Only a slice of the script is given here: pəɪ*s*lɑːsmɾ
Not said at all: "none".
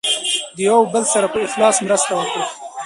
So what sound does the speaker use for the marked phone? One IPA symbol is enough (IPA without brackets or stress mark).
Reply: x